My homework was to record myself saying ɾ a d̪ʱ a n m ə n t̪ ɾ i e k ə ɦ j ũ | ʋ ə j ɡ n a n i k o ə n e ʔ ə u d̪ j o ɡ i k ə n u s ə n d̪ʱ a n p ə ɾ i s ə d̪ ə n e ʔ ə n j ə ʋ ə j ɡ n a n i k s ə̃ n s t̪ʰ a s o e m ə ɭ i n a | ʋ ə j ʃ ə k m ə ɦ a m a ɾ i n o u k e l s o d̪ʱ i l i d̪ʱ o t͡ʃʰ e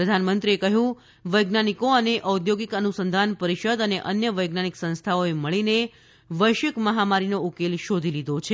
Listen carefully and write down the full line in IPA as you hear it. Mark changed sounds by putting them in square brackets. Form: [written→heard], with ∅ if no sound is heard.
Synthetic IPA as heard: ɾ [a→ə] d̪ʱ a n m ə n t̪ ɾ i e k ə ɦ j ũ | ʋ ə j ɡ n a n i k o ə n e ʔ ə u d̪ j o ɡ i k ə n u s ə n d̪ʱ a n p ə ɾ i [s→ʃ] ə d̪ ə n e ʔ ə n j ə ʋ ə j ɡ n a n i k s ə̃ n s t̪ʰ a [s→∅] o e m ə ɭ i n [a→e] | ʋ ə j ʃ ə k m ə ɦ a m a ɾ i n o u k e l [s→ʃ] o d̪ʱ i l i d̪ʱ o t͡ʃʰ e